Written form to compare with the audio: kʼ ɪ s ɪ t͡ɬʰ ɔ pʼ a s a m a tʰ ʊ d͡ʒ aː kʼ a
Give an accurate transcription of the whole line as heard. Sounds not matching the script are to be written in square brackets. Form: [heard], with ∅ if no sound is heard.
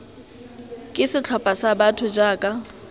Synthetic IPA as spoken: kʼ ɪ s ɪ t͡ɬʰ ɔ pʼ a s a [b] a tʰ ʊ d͡ʒ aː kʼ a